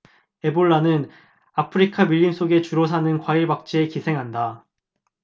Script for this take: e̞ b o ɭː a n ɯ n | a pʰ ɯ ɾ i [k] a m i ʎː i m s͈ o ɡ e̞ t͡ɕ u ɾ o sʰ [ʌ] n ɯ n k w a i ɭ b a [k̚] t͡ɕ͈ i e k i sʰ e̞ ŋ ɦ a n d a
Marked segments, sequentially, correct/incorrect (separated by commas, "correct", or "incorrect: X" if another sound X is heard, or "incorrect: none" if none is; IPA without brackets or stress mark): incorrect: kʰ, incorrect: a, correct